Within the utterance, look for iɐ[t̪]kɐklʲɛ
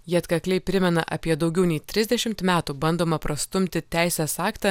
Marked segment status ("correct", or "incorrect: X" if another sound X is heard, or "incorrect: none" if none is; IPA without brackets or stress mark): correct